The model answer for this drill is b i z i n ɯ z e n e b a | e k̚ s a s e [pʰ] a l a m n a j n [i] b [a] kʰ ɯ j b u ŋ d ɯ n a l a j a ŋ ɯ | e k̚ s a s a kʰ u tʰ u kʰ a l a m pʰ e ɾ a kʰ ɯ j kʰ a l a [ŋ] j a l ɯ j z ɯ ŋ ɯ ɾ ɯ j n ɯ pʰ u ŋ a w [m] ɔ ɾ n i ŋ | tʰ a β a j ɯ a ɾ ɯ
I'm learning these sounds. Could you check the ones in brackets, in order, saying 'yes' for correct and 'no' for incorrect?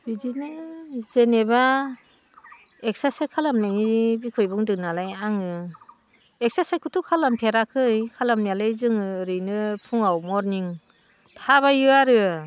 no, yes, no, no, yes

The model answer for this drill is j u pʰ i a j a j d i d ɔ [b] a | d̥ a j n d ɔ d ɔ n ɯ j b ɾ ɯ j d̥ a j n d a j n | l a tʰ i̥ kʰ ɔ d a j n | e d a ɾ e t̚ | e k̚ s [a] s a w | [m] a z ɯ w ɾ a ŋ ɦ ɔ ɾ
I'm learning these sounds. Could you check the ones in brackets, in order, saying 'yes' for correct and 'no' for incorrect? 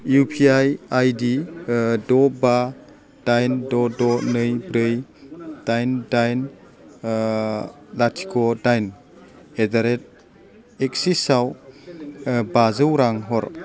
yes, no, no

